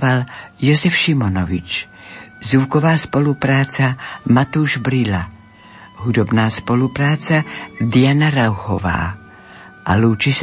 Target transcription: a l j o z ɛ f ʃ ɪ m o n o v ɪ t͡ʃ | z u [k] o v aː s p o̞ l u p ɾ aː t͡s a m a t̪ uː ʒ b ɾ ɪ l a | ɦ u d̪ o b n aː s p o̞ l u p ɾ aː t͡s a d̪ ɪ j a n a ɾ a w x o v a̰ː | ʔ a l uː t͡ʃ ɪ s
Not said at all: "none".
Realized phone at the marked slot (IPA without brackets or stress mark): k